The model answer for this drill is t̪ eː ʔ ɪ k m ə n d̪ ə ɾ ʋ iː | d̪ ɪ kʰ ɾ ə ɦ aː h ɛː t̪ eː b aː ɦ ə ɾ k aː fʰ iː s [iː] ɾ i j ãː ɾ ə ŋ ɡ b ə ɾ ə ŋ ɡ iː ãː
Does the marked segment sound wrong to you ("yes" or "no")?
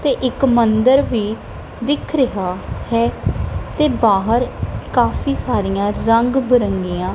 yes